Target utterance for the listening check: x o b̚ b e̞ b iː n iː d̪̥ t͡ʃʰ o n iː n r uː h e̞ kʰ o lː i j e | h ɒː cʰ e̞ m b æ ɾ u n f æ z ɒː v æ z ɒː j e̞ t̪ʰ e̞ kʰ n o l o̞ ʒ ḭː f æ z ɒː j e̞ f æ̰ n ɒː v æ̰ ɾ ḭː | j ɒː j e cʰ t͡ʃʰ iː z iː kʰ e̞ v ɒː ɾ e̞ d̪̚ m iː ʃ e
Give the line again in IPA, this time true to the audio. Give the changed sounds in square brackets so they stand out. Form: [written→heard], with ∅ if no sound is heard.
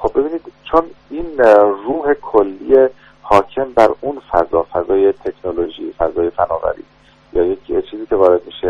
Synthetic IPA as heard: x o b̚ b e̞ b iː n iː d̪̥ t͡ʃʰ o n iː n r uː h e̞ kʰ o lː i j e | h ɒː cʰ e̞ m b æ ɾ u n f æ z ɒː [v→f] æ z ɒː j e̞ t̪ʰ e̞ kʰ n o l o̞ ʒ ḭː f æ z ɒː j e̞ f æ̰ n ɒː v æ̰ ɾ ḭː | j ɒː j e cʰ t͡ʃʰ iː z iː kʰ e̞ v ɒː ɾ e̞ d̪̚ m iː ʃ e